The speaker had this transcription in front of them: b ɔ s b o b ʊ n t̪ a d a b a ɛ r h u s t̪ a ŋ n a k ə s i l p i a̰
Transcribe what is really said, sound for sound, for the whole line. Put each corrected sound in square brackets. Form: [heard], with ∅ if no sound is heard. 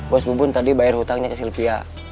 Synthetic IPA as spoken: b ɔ s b [u] b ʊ n t̪ a d [i] b a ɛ r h u [∅] t̪ a ŋ [ɲ] a k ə s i l p i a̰